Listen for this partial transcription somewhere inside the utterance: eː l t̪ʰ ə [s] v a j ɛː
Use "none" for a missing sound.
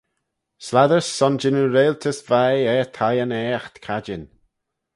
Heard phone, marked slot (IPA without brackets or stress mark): s